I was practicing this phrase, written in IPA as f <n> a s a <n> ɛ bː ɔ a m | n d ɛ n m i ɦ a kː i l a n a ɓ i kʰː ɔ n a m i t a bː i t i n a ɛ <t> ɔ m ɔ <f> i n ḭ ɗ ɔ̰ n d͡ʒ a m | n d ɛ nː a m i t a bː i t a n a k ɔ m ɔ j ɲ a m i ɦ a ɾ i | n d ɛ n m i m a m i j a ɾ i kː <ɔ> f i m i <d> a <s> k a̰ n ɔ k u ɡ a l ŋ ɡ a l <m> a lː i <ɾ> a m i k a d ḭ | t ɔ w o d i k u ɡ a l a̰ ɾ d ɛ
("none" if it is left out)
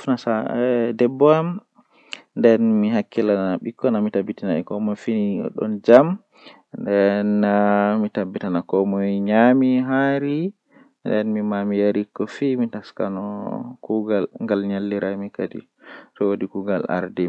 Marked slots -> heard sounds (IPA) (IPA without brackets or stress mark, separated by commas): n, d, k, f, ɔ, t, s, ɲ, ɾ